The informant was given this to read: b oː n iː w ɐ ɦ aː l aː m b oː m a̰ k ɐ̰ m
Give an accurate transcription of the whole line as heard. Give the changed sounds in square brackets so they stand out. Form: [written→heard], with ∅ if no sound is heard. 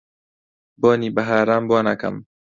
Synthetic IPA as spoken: b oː n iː [w→b] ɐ ɦ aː [l→ɾ] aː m b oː [m→n] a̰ k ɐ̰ m